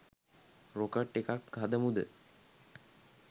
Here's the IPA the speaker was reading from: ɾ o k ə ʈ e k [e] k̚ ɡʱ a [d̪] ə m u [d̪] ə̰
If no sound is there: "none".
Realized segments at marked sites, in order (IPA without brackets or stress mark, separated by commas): a, d̪, d̪